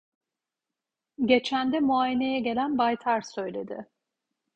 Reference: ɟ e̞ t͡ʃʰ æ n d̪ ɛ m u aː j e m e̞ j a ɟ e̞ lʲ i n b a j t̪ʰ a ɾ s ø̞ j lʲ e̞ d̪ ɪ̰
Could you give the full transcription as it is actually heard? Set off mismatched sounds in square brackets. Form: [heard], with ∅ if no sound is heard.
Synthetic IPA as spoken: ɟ e̞ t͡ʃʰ æ n d̪ ɛ m u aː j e [n] e̞ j [ɛ] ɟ e̞ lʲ [æ] n b a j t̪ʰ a ɾ s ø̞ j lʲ e̞ d̪ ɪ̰

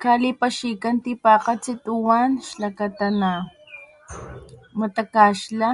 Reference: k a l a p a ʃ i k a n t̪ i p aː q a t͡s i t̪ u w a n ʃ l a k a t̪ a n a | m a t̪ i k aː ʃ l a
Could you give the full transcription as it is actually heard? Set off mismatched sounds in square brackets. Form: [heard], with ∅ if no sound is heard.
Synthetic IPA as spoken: k a l [i] p a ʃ i k a n t̪ i p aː q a t͡s i t̪ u w a n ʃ l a k a t̪ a n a | m a t̪ [a] k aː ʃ l a

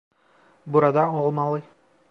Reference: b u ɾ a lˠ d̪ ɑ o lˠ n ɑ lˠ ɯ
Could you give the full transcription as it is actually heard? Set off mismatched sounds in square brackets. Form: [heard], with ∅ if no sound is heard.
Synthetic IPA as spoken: b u ɾ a [∅] d̪ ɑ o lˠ [m] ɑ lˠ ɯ

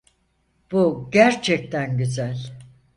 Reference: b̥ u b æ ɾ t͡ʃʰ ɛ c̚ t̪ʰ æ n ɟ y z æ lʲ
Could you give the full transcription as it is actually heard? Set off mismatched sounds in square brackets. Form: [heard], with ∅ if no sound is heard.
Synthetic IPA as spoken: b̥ u [ɟ] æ ɾ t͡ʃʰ ɛ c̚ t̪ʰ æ n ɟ y z æ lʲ

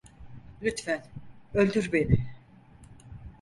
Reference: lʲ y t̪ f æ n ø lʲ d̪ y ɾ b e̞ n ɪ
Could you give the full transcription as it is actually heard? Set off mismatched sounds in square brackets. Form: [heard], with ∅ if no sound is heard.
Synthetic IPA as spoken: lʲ y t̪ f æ n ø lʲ d̪ y ɾ b e̞ n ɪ

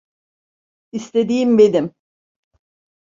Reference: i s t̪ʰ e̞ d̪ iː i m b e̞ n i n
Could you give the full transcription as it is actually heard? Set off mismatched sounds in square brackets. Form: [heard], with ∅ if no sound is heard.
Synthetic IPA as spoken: i s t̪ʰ e̞ d̪ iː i m b e̞ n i [m]

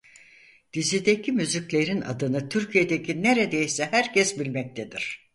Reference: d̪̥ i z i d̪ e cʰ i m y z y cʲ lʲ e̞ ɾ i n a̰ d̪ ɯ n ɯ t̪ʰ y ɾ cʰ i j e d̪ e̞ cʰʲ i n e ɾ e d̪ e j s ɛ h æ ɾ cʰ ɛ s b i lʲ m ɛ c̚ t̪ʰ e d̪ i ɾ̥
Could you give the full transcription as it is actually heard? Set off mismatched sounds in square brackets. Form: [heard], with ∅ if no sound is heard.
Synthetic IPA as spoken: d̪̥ i z i d̪ e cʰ i m y z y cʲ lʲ e̞ ɾ i n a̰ d̪ ɯ n ɯ t̪ʰ y ɾ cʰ i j e d̪ e̞ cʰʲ i n e ɾ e d̪ e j s ɛ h æ ɾ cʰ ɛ s b i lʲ m ɛ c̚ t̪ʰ e d̪ i ɾ̥

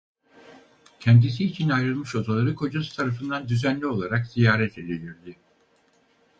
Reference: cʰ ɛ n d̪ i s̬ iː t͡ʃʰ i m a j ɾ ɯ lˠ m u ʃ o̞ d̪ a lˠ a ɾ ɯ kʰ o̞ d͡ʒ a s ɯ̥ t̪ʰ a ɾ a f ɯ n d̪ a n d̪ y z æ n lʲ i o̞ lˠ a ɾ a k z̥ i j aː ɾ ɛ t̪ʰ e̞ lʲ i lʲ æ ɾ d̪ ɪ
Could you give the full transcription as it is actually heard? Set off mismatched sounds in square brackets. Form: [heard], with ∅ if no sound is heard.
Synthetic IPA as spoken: cʰ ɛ n d̪ i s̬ iː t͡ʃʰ i [n] a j ɾ ɯ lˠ m [ɯ] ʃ o̞ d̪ a lˠ a ɾ ɯ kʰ o̞ d͡ʒ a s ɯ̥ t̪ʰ a ɾ a f ɯ n d̪ a n d̪ y z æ n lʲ i o̞ lˠ a ɾ a k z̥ i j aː ɾ ɛ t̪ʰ e̞ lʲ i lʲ [i] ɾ d̪ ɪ

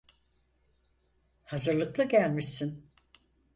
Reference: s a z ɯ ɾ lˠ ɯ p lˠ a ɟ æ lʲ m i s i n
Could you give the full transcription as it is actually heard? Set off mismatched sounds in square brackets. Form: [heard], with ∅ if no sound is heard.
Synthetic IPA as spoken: [h] a z ɯ ɾ lˠ ɯ [k] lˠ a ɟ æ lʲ m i s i n

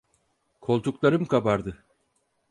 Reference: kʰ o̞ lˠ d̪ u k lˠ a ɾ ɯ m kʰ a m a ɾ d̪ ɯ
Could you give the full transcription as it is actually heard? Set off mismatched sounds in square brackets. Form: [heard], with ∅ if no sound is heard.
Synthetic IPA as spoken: kʰ o̞ lˠ [t̪] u k lˠ a ɾ ɯ m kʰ a [b] a ɾ d̪ ɯ

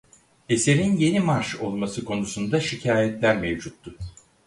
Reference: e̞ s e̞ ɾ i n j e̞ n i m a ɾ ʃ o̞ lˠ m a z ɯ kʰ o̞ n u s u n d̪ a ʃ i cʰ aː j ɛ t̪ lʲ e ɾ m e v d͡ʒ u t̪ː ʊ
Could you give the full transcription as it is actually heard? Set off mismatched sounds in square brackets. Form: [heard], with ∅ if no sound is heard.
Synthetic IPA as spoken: e̞ s e̞ ɾ i n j e̞ n i m a ɾ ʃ o̞ lˠ m a [s] ɯ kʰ o̞ n u s u n d̪ a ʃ i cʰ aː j ɛ t̪ lʲ [æ] ɾ m e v d͡ʒ u t̪ː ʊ

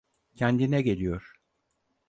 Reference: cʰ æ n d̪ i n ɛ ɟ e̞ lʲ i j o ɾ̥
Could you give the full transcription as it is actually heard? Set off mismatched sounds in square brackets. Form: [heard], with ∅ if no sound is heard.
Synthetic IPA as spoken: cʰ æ n d̪ i n ɛ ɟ e̞ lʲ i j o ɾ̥

